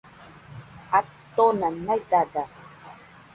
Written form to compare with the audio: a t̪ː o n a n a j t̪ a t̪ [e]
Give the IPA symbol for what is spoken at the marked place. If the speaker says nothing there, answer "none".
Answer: a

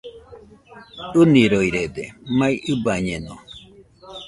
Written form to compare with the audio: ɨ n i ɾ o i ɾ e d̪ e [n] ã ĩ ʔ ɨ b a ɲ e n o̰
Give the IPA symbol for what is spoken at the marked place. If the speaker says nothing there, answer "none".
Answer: m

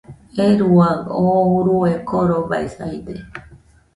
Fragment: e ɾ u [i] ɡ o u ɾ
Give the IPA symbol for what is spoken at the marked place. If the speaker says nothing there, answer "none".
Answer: a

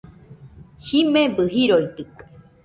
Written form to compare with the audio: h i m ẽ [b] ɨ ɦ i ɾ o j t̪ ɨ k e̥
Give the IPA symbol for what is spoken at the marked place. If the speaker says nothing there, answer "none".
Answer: b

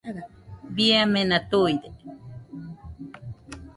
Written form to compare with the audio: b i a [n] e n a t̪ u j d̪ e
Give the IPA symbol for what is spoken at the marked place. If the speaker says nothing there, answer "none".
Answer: m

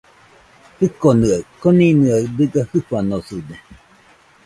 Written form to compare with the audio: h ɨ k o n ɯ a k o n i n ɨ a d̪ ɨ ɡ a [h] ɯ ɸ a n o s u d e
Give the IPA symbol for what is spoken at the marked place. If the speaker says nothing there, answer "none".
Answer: h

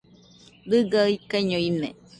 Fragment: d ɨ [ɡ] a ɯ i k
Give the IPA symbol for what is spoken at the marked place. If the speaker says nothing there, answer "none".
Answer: ɡ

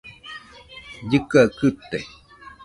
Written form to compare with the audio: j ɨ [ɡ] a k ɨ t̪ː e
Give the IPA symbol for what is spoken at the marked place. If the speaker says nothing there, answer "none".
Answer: k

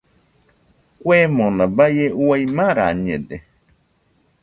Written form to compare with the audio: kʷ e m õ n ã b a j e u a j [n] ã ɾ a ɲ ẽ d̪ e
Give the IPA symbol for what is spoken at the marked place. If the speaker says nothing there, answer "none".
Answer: m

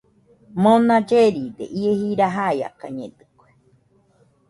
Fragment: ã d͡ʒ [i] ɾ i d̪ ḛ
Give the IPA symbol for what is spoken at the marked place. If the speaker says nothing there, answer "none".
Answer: e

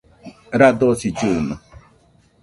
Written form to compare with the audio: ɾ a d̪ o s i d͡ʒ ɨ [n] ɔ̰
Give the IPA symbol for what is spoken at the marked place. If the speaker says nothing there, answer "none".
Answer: n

